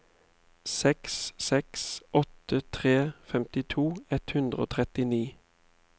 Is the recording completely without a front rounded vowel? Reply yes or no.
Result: yes